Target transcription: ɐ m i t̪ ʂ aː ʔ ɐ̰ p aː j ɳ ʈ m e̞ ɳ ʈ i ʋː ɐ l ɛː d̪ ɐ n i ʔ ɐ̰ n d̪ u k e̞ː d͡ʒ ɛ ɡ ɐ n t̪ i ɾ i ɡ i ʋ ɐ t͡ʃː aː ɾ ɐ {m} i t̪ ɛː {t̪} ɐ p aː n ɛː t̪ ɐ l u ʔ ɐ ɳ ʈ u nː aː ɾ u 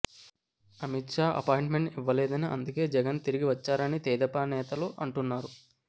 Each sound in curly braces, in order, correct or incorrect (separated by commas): incorrect, incorrect